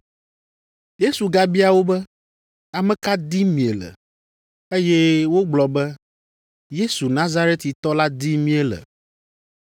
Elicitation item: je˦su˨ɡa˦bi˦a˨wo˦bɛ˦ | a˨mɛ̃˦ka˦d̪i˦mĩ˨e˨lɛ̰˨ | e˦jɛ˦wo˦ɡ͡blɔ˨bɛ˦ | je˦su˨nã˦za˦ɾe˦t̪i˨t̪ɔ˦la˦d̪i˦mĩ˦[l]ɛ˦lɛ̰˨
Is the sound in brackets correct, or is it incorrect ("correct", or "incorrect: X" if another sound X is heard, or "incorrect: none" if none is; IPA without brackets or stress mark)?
incorrect: none